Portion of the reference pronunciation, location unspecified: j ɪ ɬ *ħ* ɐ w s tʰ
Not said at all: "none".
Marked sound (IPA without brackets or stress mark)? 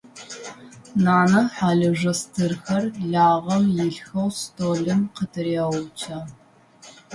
x